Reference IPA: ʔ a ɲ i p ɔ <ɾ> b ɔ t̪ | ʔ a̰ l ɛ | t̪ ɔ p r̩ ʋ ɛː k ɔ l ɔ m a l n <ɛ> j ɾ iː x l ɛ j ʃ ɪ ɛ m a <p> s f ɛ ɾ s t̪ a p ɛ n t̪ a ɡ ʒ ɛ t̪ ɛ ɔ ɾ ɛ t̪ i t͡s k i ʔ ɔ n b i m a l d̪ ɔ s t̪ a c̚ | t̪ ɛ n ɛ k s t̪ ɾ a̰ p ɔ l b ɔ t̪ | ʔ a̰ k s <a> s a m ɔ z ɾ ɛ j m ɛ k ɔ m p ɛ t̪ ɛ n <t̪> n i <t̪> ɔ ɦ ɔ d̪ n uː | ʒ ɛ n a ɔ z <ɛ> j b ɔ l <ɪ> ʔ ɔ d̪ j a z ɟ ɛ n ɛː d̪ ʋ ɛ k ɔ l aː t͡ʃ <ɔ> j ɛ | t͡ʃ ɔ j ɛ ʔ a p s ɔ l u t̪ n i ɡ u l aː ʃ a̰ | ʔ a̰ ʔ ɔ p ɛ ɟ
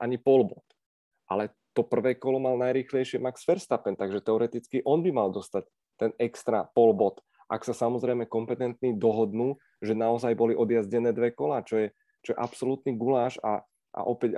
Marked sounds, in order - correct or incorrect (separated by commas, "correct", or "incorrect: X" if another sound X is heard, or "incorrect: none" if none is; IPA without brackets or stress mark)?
incorrect: l, incorrect: a, incorrect: k, correct, correct, incorrect: d̪, incorrect: a, incorrect: i, correct